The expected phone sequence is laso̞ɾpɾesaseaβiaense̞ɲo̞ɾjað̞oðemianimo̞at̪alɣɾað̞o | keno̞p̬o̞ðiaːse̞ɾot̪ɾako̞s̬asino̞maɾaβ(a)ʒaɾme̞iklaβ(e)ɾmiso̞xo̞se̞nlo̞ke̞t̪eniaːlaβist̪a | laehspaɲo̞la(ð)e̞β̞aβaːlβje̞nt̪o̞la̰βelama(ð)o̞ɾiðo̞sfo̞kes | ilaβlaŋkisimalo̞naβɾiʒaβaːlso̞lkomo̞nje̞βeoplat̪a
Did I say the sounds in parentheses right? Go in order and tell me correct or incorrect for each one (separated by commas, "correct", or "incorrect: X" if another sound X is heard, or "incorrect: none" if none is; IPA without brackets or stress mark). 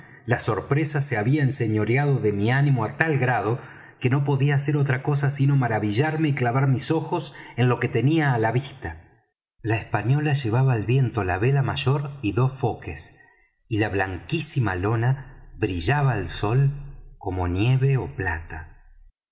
incorrect: i, incorrect: a, incorrect: ʒ, incorrect: ʒ